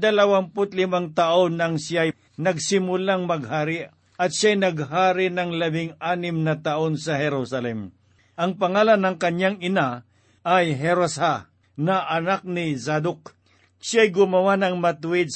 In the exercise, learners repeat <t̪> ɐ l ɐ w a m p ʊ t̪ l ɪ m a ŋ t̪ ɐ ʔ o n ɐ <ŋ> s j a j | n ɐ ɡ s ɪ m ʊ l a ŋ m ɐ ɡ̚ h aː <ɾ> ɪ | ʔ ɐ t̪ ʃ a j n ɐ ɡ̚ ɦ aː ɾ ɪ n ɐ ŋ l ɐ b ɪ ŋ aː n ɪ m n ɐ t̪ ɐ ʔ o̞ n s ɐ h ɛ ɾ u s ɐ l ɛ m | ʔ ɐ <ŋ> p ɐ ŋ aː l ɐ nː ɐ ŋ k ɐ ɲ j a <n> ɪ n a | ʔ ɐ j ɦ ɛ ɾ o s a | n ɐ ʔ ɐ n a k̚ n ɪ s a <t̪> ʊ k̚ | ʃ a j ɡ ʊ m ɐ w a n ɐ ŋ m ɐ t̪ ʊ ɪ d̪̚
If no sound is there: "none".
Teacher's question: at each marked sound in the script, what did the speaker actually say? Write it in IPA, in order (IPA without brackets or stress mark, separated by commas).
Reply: d̪, ŋ, ɾ, ŋ, ŋ, d̪